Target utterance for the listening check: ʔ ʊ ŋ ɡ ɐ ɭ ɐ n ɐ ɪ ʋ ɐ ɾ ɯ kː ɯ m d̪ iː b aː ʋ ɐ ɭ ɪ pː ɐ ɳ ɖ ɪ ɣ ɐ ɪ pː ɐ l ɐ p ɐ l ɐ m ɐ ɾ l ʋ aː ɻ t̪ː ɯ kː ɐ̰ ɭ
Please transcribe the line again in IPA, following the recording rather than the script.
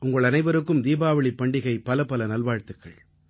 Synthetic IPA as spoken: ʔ ʊ ŋ ɡ ɐ ɭ ɐ n ɐ ɪ ʋ ɐ ɾ ɯ kː ɯ m d̪ iː b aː ʋ ɐ ɭ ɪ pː ɐ ɳ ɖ ɪ ɣ ɐ ɪ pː ɐ l ɐ p ɐ l ɐ n ɐ l ʋ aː ɻ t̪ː ɯ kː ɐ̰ ɭ